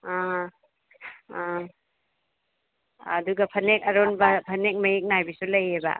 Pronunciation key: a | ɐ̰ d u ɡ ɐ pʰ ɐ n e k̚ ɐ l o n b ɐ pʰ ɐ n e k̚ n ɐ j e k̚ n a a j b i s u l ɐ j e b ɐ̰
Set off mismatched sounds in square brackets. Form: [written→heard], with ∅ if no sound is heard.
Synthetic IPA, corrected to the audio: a | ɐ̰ d u ɡ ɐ pʰ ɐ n e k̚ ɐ [l→ɾ] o n b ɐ pʰ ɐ n e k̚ [n→m] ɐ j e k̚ n a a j b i s u l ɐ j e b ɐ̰